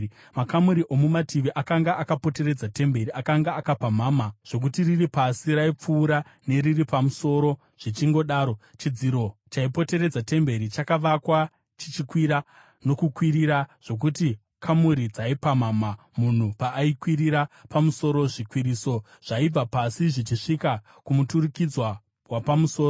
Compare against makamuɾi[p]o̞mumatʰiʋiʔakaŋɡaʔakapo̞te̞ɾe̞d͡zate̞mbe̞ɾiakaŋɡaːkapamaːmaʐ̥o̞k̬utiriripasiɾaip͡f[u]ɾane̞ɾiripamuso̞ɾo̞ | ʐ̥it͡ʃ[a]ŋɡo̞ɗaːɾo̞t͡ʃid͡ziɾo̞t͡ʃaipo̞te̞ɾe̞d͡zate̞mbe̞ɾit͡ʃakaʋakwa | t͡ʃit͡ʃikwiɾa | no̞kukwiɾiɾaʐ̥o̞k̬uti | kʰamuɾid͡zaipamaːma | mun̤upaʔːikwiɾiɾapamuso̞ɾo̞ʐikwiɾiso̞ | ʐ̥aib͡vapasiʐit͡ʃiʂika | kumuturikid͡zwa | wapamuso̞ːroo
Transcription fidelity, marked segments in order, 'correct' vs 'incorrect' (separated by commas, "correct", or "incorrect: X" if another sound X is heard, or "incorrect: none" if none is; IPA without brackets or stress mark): incorrect: ʔ, incorrect: uː, incorrect: i